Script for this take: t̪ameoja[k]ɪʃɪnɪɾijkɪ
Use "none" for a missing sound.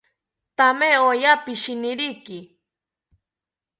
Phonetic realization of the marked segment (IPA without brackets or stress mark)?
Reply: p